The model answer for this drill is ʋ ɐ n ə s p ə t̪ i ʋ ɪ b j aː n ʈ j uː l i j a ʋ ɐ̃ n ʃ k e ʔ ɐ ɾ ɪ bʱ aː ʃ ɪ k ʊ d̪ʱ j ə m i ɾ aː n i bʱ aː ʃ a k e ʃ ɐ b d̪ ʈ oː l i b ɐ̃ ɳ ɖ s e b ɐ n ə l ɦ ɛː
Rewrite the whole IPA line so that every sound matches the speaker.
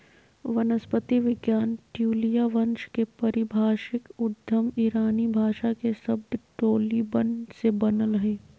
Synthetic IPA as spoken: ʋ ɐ n ə s p ə t̪ i ʋ ɪ ɡ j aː n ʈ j uː l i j a ʋ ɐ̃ n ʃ k e p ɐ ɾ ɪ bʱ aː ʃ ɪ k ʊ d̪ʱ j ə m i ɾ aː n i bʱ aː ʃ a k e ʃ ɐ b d̪ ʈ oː l i b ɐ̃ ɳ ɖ s e b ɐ n ə l ɦ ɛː